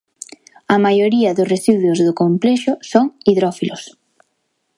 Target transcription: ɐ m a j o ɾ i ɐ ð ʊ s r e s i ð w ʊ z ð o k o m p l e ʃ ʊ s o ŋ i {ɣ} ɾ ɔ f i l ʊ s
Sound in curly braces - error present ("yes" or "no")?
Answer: yes